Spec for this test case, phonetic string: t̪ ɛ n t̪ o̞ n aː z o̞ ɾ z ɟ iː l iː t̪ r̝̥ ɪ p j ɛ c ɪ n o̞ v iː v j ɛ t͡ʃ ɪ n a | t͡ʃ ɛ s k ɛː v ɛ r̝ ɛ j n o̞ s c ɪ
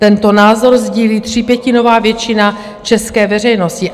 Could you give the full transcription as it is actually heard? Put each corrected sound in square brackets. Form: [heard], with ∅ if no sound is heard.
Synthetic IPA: t̪ ɛ n t̪ o̞ n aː z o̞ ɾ z ɟ iː l iː t̪ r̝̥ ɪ p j ɛ c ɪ n o̞ v [aː] v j ɛ t͡ʃ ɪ n a | t͡ʃ ɛ s k ɛː v ɛ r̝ ɛ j n o̞ s c ɪ